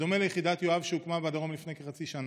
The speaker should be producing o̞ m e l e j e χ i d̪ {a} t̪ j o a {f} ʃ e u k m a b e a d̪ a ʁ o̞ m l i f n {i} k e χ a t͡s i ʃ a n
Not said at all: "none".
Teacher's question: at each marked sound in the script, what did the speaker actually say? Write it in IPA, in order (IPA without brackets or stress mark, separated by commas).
a, v, e